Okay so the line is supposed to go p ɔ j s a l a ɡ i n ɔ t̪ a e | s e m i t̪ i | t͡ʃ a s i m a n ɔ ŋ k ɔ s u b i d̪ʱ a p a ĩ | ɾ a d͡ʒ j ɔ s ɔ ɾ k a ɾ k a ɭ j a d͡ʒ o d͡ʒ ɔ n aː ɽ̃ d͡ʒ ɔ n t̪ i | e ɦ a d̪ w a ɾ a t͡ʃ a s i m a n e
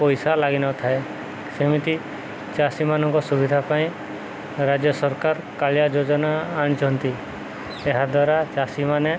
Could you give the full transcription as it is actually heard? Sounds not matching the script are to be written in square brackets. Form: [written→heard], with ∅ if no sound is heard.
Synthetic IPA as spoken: p ɔ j s a l a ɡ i n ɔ [t̪→t̪ʰ] a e | s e m i t̪ i | t͡ʃ a s i m a n ɔ ŋ k ɔ s u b i d̪ʱ a p a ĩ | ɾ a d͡ʒ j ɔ s ɔ ɾ k a ɾ k a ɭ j a d͡ʒ o d͡ʒ ɔ n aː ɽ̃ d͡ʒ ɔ n t̪ i | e ɦ a d̪ w a ɾ a t͡ʃ a s i m a n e